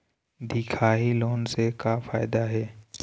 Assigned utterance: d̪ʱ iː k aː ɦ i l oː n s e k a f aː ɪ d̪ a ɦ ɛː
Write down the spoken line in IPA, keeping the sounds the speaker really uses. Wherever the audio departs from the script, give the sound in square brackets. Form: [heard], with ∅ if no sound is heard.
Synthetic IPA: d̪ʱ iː [kʰ] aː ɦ i l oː n s e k a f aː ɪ d̪ a ɦ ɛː